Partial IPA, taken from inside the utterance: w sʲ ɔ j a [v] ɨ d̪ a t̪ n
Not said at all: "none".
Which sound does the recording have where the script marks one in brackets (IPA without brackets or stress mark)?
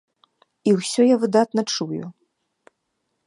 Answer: v